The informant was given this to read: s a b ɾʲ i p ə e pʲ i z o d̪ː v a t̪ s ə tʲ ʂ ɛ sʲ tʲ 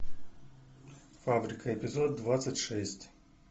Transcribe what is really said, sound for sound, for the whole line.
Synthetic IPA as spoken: f a b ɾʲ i k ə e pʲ i z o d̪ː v a t̪ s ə tʲ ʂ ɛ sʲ tʲ